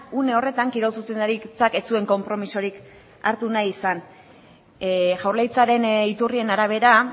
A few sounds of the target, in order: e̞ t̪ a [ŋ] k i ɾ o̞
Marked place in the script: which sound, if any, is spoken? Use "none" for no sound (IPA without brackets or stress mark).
ŋ